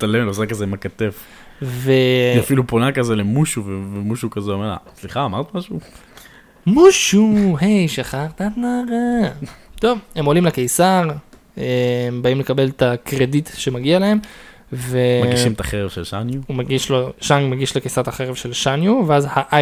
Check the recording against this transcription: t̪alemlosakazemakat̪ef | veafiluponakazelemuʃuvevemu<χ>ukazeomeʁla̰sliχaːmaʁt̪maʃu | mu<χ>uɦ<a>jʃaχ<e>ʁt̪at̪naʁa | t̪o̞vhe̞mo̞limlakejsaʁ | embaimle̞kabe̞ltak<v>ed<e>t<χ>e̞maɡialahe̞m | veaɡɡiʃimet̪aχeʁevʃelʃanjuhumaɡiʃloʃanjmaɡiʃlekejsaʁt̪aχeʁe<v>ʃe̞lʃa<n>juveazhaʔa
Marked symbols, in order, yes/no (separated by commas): no, no, no, no, no, no, no, yes, yes